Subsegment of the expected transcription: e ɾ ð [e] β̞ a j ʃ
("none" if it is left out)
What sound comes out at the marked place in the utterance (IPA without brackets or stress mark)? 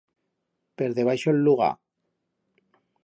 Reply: e